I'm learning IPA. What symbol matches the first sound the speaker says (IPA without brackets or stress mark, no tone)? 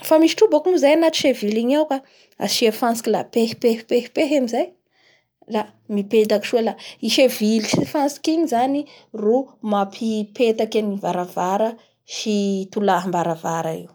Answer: f